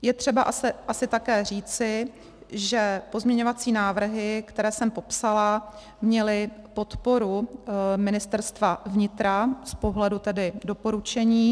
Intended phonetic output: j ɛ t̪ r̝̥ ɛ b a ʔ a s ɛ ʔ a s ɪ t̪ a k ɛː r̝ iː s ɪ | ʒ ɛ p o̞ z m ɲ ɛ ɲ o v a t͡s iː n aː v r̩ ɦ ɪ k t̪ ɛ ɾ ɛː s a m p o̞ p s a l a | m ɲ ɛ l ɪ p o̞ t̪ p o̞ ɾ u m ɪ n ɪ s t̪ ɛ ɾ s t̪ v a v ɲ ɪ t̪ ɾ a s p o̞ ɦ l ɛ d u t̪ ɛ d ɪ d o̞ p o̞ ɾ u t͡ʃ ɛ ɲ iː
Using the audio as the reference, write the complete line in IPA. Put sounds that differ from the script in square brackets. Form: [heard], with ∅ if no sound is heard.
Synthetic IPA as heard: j ɛ t̪ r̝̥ ɛ b a ʔ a s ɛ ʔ a s ɪ t̪ a k ɛː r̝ iː [t͡s] ɪ | ʒ ɛ p o̞ z m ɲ ɛ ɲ o v a t͡s iː n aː v r̩ ɦ ɪ k t̪ ɛ ɾ ɛː s [ɛ] m p o̞ p s a l a | m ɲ ɛ l ɪ p o̞ t̪ p o̞ ɾ u m ɪ n ɪ s t̪ ɛ ɾ s t̪ v a v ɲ ɪ t̪ ɾ a s p o̞ ɦ l ɛ d u t̪ ɛ d ɪ d o̞ p o̞ ɾ u t͡ʃ ɛ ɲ iː